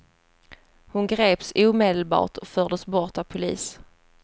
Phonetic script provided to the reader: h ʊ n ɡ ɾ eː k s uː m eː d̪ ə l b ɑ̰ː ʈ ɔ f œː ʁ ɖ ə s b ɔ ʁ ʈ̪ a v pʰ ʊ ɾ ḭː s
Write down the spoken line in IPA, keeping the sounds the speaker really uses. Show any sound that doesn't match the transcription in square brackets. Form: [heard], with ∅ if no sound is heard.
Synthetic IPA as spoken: h ʊ n ɡ ɾ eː [p] s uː m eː d̪ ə l b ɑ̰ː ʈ ɔ f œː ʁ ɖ ə s b ɔ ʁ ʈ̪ a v pʰ ʊ [l] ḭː s